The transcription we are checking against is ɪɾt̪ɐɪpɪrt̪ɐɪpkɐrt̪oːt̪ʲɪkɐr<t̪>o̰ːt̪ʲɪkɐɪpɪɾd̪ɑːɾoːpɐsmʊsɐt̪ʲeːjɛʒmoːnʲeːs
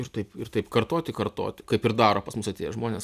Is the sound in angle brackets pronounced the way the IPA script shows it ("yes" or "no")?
yes